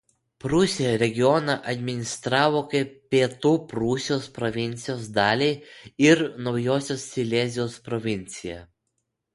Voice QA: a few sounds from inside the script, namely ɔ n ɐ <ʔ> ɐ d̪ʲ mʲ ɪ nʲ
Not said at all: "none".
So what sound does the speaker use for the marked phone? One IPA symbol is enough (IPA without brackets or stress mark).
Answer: ʔ